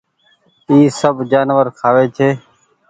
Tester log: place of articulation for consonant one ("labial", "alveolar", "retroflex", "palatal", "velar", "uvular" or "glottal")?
alveolar